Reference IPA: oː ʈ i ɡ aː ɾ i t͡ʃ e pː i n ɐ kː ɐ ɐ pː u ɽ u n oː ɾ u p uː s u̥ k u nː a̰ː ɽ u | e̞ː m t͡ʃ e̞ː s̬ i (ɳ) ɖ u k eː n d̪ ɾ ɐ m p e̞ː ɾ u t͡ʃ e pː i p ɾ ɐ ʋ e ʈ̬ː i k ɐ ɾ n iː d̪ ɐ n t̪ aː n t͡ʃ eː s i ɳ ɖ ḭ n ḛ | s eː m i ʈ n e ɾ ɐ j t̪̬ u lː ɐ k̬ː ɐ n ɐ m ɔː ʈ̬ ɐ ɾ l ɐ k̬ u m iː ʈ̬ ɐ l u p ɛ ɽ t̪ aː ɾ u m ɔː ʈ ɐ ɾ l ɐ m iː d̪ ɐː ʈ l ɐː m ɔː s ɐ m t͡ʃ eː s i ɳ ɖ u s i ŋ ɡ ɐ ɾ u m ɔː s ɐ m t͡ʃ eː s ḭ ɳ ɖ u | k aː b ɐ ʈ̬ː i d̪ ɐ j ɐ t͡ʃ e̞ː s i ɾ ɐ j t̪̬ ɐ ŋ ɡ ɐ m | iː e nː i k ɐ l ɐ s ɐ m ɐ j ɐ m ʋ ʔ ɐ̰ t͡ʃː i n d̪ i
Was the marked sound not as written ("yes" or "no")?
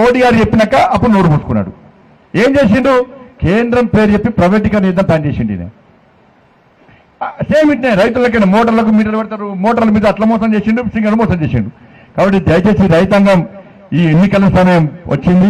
no